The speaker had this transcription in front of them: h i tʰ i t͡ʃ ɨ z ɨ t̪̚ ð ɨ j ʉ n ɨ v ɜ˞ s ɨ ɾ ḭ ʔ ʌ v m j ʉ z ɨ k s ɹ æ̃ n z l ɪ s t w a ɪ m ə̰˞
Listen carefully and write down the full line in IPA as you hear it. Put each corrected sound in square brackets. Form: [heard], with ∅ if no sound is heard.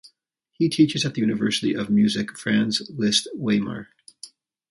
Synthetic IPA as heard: h i tʰ i t͡ʃ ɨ z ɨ t̪̚ ð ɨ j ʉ n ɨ v ɜ˞ s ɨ ɾ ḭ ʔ ʌ v m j ʉ z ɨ k [f] ɹ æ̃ n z l ɪ s t w [e] ɪ m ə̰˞